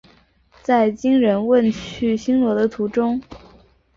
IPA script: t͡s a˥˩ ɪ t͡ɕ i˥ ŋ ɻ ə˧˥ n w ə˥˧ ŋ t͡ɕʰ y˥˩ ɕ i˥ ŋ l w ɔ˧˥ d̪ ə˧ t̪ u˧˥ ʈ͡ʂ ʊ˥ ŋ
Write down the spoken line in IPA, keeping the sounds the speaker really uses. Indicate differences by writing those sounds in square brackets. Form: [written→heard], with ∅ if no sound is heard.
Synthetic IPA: t͡s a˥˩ ɪ t͡ɕ i˥ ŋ ɻ ə˧˥ n w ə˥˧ [ŋ→n] t͡ɕʰ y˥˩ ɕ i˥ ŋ l w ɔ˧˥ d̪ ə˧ [t̪→t̪ʰ] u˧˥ ʈ͡ʂ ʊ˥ ŋ